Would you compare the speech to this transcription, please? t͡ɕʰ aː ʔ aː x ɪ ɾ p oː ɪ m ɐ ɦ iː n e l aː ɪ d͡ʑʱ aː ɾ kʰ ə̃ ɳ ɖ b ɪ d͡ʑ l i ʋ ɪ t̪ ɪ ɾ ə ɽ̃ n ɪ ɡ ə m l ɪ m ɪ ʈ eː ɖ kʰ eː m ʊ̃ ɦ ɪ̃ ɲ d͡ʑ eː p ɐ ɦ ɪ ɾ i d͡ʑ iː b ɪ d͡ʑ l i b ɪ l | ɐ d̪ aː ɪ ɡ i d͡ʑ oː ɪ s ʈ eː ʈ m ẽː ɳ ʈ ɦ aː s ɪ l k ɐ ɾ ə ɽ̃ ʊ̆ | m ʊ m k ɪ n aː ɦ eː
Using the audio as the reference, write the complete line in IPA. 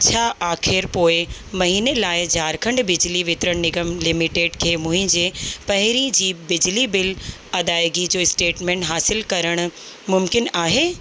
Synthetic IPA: t͡ɕʰ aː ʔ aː x ɪ ɾ p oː ɪ m ɐ ɦ iː n e l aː ɪ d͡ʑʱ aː ɾ kʰ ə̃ ɳ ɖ b ɪ d͡ʑ l i ʋ ɪ t̪ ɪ ɾ ə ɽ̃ n ɪ ɡ ə m l ɪ m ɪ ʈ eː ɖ kʰ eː m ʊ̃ ɦ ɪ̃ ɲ d͡ʑ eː p ɐ ɦ ɪ ɾ i d͡ʑ iː b ɪ d͡ʑ l i b ɪ l | ɐ d̪ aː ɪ ɡ i d͡ʑ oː ɪ s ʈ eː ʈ m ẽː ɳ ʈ ɦ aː s ɪ l k ɐ ɾ ə ɽ̃ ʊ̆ | m ʊ m k ɪ n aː ɦ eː